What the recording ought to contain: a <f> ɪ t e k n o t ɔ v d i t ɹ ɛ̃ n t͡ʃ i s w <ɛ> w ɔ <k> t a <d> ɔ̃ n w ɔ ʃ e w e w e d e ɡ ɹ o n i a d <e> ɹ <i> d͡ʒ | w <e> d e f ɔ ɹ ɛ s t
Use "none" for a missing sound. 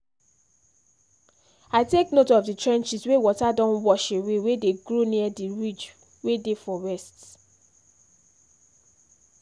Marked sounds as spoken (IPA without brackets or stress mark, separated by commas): none, e, none, d, i, i, e